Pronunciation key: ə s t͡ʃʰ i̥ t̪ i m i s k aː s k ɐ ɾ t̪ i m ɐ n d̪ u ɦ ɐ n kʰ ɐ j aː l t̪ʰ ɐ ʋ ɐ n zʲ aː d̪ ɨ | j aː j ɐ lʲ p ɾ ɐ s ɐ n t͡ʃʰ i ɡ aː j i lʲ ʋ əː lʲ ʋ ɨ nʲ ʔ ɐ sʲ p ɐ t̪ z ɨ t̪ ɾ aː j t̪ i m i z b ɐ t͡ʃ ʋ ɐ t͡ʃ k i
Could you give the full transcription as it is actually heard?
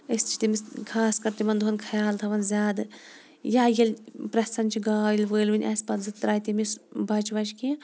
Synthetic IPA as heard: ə s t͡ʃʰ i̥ t̪ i m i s kʰ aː s k ɐ ɾ t̪ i m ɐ n d̪ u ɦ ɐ n kʰ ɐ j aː l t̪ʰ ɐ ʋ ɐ n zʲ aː d̪ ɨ | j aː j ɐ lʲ p ɾ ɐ s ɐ n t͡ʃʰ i ɡ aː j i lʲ ʋ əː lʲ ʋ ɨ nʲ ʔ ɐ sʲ p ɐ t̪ z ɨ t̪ ɾ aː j t̪ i m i s b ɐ t͡ʃ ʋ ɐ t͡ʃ k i

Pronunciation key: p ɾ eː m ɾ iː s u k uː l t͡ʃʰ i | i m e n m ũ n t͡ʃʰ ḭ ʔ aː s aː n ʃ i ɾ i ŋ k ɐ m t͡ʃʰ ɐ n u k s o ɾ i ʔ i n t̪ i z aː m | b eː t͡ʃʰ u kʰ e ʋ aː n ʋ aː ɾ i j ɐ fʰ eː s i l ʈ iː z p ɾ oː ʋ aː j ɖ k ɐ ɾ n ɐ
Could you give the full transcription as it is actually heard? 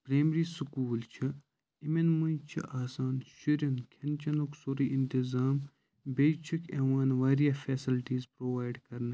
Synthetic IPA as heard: p ɾ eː m ɾ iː s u k uː l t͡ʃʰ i | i m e n m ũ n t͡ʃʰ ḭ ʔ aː s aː n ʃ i ɾ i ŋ kʰ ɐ n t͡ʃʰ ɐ n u k s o ɾ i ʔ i n t̪ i z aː m | b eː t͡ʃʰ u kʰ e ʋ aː n ʋ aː ɾ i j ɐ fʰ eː s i l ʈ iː z p ɾ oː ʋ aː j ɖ k ɐ ɾ n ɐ

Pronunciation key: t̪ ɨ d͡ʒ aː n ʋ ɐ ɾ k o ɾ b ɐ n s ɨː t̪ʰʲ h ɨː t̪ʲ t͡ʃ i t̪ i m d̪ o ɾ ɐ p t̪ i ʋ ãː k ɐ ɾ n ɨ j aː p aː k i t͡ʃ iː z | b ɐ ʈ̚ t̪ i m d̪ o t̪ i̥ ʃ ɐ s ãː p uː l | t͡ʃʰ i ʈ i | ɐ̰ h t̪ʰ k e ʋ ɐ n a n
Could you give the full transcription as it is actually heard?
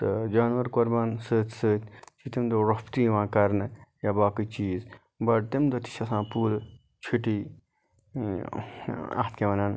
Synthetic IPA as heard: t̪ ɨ d͡ʒ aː n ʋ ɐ ɾ k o ɾ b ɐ n s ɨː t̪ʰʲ s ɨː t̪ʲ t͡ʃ i t̪ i m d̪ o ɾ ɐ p t̪ i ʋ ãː k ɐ ɾ n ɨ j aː b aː k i t͡ʃ iː z | b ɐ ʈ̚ t̪ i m d̪ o t̪ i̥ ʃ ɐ s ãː p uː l | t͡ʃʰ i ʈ i | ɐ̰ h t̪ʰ k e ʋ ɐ n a n

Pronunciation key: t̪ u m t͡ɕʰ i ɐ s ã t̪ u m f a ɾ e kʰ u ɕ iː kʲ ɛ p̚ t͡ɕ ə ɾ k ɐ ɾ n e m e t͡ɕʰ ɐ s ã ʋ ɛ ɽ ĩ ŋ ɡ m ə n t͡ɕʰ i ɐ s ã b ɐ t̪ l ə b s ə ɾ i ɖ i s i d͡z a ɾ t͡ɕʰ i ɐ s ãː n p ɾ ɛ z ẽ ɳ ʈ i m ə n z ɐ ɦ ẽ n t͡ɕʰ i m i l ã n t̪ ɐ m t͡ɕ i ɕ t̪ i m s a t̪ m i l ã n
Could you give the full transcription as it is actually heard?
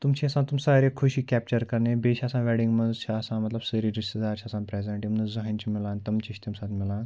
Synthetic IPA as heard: t̪ u m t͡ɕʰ i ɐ s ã t̪ u m s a ɾ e kʰ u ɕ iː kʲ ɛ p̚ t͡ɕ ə ɾ k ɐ ɾ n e b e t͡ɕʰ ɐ s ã ʋ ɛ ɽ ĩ ŋ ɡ m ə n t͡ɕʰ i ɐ s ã m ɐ t̪ l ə b s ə ɾ i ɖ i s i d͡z a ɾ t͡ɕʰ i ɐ s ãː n p ɾ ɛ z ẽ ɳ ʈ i m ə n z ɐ ɦ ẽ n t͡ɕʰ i m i l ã n t̪ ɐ m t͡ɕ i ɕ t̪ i m s a t̪ m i l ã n

